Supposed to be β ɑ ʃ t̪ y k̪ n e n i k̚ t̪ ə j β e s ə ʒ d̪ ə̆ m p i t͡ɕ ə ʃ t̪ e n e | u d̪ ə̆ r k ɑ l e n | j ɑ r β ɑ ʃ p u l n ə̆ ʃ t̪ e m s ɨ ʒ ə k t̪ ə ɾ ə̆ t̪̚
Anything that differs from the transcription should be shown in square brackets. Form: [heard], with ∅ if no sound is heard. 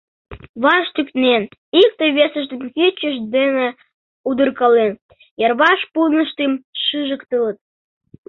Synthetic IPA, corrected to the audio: β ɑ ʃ t̪ y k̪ n e n i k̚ t̪ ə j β e s ə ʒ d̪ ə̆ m [k] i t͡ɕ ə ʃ [d̪] e n e | u d̪ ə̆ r k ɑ l e n | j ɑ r β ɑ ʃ p u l n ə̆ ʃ t̪ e m [ʃ] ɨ ʒ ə k t̪ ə [l] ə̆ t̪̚

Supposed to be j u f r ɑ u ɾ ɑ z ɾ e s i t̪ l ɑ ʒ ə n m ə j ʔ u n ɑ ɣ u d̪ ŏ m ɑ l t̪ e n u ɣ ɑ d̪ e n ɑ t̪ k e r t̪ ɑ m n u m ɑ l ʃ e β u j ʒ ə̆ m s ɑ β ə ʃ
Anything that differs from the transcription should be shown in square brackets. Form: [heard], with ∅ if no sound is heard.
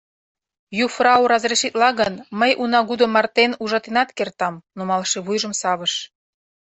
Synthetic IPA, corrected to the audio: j u f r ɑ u ɾ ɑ z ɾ e [ʃ] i t̪ l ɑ [ɣ] ə n m ə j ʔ u n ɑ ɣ u d̪ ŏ m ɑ [r] t̪ e n u [ʒ] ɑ [t̪] e n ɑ t̪ k e r t̪ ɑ m n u m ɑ l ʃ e β u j ʒ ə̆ m s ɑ β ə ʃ

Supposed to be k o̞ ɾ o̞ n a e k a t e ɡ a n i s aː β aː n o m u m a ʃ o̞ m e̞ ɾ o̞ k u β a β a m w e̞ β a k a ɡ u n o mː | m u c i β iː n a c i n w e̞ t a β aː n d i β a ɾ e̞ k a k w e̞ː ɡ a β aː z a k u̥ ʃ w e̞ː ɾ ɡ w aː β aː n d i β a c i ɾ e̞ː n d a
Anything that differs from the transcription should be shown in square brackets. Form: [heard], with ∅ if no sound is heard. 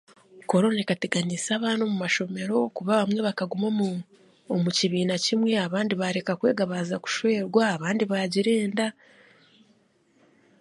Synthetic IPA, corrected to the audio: k o̞ ɾ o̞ n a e k a t e ɡ a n i s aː β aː n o m u m a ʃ o̞ m e̞ ɾ o̞ k u β a β a m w e̞ β a k a ɡ u [m] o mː | m u c i β iː n a c i [m] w e̞ [∅] a β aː n d i β a ɾ e̞ k a k w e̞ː ɡ a β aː z a k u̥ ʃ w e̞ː ɾ ɡ w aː β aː n d i β a [ɟ] i ɾ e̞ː n d a

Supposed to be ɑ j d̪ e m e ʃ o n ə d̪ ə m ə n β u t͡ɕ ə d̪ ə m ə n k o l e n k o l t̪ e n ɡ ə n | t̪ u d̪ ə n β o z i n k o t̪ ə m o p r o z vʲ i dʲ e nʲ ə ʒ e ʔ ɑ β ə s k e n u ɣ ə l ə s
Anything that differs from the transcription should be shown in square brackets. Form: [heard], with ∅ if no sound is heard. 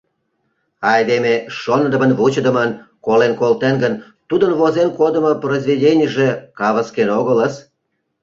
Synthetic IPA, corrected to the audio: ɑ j d̪ e m e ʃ o n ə d̪ ə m ə n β u t͡ɕ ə d̪ ə m ə n k o l e n k o l t̪ e n ɡ ə n | t̪ u d̪ ə n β o z [e] n k o [d̪] ə m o p r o z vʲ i dʲ e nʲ ə ʒ e [k] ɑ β ə s k e n [o] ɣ ə l ə s

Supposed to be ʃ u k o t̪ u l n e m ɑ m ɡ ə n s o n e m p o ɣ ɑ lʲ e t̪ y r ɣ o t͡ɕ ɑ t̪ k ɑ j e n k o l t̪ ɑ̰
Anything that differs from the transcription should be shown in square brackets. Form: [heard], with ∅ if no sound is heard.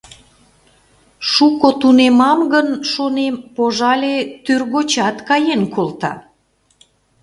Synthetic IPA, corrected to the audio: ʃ u k o t̪ u [∅] n e m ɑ m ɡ ə n [ʃ] o n e m p o [ʒ] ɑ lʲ e t̪ y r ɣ o t͡ɕ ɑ t̪ k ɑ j e n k o l t̪ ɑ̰

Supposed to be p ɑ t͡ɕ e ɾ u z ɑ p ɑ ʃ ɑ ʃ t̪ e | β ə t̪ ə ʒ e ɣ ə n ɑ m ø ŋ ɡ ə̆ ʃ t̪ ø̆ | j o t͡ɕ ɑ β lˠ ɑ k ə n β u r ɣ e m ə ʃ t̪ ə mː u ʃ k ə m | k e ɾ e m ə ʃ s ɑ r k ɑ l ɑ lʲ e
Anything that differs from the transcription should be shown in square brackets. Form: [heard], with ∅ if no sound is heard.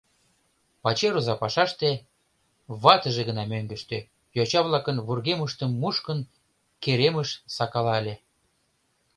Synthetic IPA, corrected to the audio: p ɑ t͡ɕ e ɾ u z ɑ p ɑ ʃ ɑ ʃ t̪ e | β [ɑ] t̪ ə ʒ e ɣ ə n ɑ m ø ŋ ɡ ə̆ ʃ t̪ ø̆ | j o t͡ɕ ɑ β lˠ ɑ k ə n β u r ɣ e m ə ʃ t̪ ə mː u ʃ k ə [n] | k e ɾ e m ə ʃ s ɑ [∅] k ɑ l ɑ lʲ e

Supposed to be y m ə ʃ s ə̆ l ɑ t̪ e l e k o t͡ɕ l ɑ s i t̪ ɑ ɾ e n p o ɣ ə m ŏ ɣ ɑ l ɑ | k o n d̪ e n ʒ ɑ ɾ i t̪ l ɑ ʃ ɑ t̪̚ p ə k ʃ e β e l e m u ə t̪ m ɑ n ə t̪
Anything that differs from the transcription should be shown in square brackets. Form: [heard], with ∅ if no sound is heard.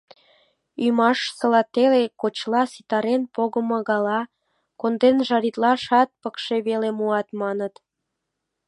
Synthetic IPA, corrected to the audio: y m [ɑ] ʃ s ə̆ l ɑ t̪ e l e k o t͡ɕ l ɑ s i t̪ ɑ ɾ e n p o ɣ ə m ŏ ɣ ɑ l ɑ | k o n d̪ e n ʒ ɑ ɾ i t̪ l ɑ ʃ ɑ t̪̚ p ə k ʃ e β e l e m u [ɑ] t̪ m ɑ n ə t̪

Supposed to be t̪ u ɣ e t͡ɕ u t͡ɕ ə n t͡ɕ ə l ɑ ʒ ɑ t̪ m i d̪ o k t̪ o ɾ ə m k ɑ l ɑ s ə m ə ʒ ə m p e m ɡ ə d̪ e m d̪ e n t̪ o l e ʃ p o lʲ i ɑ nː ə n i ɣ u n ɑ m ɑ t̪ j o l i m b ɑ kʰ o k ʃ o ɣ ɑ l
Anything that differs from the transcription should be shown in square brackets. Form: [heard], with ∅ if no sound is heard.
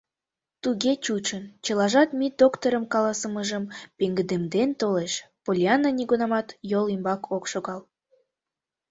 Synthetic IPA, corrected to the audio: t̪ u ɣ e t͡ɕ u t͡ɕ ə n t͡ɕ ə l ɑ ʒ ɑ t̪ m i d̪ o k t̪ o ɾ ə m k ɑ l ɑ s ə m ə ʒ ə m p e [ŋ] ɡ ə d̪ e m d̪ e n t̪ o l e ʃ p o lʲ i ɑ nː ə n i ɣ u n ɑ m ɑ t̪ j o l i m b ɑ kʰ o k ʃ o ɣ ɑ l

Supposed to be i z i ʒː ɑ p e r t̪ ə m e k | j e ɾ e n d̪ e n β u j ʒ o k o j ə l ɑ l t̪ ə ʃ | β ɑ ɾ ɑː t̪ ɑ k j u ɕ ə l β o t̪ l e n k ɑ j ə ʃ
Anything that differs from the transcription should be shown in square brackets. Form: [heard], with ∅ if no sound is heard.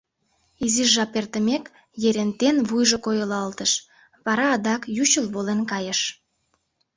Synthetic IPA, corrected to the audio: i z i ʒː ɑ p e r t̪ ə m e k | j e ɾ e n [t̪] e n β u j ʒ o k o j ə l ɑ l t̪ ə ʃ | β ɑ ɾ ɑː [d̪] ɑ k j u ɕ ə l β o [∅] l e n k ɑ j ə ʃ

